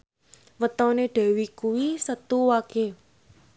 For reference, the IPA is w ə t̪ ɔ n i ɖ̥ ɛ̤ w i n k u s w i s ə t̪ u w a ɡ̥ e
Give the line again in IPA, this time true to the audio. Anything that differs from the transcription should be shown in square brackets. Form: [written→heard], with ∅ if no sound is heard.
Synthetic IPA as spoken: w ə t̪ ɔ n [i→e] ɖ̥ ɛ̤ w i [n→∅] k u [s→∅] w i s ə t̪ u w a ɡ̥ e